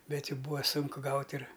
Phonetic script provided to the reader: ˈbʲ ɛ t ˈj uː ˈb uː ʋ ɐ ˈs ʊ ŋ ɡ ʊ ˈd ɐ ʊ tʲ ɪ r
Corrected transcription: ˈbʲ ɛ t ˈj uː ˈb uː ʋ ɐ ˈs ʊ ŋ k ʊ ˈɡ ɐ ʊ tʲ ɪ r